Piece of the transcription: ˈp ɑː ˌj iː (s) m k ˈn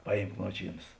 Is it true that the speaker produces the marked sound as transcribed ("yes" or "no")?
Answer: no